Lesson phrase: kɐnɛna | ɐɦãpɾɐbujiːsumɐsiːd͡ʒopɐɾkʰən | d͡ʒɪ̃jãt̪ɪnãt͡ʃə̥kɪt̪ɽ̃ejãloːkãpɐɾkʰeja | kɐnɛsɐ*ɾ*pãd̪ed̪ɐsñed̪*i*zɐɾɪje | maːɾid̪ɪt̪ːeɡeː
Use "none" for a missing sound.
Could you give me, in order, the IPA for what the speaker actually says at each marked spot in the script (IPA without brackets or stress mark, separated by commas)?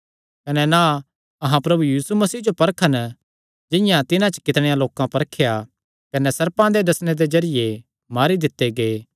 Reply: ɾ, e